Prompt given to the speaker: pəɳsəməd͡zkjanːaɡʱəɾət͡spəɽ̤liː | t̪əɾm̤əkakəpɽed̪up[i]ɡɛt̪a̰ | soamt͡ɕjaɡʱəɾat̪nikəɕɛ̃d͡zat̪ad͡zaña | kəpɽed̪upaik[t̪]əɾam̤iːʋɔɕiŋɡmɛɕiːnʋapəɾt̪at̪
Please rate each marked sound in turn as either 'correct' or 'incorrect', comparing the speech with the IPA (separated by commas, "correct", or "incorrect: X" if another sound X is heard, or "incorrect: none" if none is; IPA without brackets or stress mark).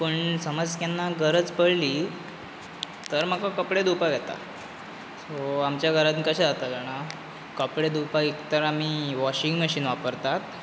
incorrect: a, correct